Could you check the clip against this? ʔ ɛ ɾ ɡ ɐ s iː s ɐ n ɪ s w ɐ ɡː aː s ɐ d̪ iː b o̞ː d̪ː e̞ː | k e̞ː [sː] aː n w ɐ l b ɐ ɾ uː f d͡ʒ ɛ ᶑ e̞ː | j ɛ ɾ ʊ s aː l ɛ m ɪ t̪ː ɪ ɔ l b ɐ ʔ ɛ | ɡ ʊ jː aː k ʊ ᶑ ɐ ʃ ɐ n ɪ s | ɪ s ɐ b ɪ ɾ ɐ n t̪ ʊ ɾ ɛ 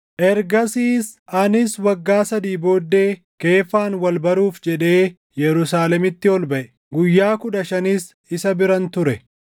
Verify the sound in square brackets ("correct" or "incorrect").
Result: incorrect